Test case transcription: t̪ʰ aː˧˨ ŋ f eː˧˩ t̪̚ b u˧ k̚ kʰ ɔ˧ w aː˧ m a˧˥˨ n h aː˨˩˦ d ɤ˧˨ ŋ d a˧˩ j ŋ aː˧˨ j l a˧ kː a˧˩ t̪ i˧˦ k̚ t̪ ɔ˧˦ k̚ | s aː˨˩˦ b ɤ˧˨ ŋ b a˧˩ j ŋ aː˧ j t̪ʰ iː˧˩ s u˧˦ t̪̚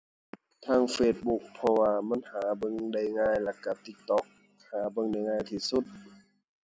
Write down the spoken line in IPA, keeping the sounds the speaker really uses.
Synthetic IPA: t̪ʰ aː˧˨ ŋ f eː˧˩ t̪̚ b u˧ k̚ pʰ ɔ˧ w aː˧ m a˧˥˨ n h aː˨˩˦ b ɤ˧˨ ŋ d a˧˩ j ŋ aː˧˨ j l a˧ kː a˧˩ t̪ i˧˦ k̚ t̪ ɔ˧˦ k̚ | h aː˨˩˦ b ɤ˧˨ ŋ d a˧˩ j ŋ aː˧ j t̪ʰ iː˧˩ s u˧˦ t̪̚